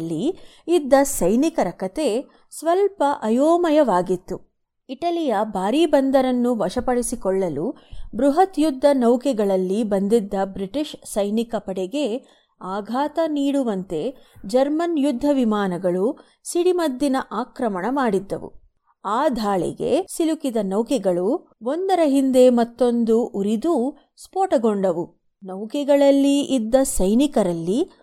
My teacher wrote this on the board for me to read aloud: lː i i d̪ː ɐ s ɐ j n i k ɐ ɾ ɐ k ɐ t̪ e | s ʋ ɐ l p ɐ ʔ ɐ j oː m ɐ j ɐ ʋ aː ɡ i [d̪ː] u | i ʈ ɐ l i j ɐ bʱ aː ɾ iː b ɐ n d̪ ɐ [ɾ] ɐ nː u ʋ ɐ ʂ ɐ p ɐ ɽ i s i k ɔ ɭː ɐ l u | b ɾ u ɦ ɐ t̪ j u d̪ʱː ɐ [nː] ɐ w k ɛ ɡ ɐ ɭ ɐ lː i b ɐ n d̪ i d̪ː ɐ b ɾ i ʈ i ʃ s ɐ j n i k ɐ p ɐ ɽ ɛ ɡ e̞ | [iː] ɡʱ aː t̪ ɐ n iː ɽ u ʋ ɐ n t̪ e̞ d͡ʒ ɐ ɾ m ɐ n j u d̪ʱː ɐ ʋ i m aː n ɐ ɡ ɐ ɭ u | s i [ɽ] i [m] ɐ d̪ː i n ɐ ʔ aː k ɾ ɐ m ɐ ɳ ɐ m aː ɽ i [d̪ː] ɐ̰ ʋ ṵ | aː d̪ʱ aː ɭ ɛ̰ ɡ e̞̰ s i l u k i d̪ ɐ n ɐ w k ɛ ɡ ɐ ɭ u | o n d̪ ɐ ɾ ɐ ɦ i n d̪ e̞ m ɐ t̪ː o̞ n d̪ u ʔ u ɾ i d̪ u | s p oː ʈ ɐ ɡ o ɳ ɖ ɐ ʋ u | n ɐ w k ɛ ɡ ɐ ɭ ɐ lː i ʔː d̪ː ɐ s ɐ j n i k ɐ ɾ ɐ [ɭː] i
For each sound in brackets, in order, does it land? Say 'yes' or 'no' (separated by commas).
no, yes, no, no, yes, yes, yes, no